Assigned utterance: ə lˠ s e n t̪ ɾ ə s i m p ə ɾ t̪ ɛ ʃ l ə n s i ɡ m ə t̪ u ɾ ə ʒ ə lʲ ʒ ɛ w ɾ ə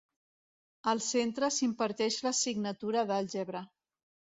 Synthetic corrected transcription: ə lˠ s e n t̪ ɾ ə s i m p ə ɾ t̪ ɛ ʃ l ə s i ɡ n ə t̪ u ɾ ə ð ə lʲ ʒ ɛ β ɾ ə